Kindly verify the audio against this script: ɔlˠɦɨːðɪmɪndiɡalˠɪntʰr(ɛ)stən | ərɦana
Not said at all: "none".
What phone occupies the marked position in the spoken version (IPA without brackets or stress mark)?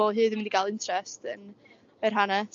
ɛ